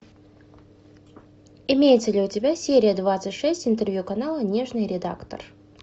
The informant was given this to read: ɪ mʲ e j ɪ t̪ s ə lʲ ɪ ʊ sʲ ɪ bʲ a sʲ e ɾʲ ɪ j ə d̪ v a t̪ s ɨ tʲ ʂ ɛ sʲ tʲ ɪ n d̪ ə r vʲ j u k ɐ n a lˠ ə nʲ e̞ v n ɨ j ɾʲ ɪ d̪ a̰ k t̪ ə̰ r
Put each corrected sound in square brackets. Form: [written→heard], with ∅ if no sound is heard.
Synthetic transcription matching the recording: ɪ mʲ e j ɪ t̪ s ə lʲ ɪ ʊ [sʲ→tʲ] ɪ bʲ a sʲ e ɾʲ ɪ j ə d̪ v a t̪ s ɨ tʲ ʂ ɛ sʲ tʲ ɪ n [d̪→t̪] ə r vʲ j u k ɐ n a lˠ ə nʲ e̞ [v→ʐ] n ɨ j ɾʲ ɪ d̪ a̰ k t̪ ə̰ r